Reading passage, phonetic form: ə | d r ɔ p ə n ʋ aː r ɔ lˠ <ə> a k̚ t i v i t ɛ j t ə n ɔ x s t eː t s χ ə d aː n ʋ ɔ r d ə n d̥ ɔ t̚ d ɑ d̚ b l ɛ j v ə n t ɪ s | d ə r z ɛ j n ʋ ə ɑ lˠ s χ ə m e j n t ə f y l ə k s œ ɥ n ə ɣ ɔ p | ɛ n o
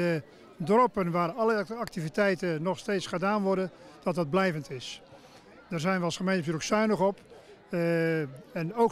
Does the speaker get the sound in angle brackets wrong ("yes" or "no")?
no